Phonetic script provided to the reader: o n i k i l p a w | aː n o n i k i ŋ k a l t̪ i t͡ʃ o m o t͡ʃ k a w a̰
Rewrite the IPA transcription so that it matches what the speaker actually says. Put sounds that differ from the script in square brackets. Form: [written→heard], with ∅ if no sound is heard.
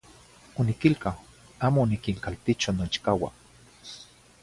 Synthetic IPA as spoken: o n i k i l [p→k] a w | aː [n→m] o n i k i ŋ k a l t̪ i t͡ʃ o [m→n] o t͡ʃ k a w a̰